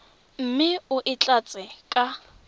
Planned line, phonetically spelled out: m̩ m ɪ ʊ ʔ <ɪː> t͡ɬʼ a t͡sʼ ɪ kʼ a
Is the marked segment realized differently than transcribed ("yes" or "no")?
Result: yes